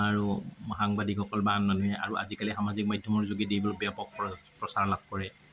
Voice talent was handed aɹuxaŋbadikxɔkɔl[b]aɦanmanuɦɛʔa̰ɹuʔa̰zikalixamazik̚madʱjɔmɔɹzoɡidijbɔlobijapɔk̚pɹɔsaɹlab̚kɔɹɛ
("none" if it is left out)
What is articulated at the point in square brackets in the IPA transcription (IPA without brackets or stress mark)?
b